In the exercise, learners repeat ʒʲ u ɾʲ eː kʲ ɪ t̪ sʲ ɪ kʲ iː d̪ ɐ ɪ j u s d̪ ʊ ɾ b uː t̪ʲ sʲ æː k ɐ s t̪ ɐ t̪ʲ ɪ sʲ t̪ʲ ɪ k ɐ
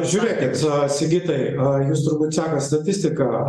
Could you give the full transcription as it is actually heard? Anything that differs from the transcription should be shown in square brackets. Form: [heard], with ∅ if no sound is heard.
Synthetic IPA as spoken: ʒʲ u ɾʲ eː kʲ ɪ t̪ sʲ ɪ [ɡʲ] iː [t̪] ɐ ɪ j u s [t̪] ʊ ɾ b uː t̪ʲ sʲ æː k ɐ s t̪ ɐ t̪ʲ ɪ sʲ t̪ʲ ɪ k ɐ